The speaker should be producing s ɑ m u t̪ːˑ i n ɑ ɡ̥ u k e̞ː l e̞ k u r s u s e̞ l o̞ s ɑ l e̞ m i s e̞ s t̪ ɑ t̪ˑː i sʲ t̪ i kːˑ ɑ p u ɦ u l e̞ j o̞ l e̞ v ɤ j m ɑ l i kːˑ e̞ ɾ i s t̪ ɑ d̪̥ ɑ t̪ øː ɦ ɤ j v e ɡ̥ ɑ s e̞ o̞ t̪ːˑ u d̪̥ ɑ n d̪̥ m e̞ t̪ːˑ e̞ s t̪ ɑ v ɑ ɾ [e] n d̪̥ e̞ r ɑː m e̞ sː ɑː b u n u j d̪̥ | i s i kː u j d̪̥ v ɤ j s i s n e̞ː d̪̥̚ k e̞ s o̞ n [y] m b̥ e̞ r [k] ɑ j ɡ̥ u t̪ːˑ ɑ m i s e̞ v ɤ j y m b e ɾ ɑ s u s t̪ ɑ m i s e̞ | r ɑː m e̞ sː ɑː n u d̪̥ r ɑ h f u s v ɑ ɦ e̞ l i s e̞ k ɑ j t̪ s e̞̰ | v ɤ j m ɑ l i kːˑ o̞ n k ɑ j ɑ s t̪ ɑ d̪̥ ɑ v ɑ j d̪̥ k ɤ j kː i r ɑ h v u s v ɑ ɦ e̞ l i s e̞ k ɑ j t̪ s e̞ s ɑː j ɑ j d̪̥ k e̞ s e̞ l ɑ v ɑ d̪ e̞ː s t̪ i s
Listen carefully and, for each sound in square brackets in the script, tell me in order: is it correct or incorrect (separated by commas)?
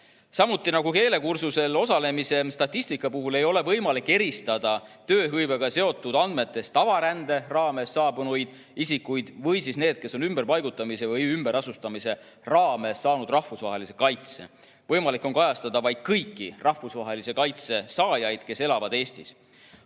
incorrect, correct, incorrect